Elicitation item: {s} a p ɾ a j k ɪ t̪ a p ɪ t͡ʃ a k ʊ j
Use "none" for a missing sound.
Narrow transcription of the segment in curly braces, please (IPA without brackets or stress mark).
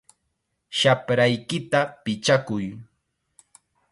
ʃ